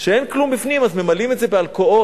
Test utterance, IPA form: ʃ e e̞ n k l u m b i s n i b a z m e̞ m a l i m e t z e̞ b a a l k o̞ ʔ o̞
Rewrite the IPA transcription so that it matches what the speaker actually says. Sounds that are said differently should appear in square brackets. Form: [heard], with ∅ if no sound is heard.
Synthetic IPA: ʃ e e̞ n k l u m b i [f] n i [m] a z m e̞ m a l i m e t z e̞ b [e] a l k o̞ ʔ o̞